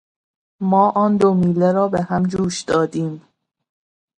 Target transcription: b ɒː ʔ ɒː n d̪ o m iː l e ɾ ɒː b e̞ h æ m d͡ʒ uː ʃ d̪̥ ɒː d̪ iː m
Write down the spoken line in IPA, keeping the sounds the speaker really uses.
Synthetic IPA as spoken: m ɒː ʔ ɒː n d̪ o m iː l e ɾ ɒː b e̞ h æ m d͡ʒ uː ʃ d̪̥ ɒː d̪ iː m